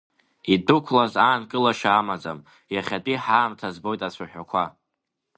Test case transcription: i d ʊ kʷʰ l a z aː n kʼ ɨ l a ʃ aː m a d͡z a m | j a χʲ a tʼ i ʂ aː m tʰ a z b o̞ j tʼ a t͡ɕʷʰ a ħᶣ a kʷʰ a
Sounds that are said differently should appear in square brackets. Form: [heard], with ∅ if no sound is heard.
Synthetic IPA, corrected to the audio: i d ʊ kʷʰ l a z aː n kʼ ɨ l a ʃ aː m a d͡z a m | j a χʲ a tʼ i [ħ] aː m tʰ a z b o̞ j tʼ a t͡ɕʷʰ a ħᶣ a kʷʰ a